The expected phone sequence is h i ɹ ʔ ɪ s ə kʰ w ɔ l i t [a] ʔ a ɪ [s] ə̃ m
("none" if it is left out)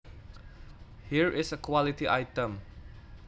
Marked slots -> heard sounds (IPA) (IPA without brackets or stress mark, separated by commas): i, t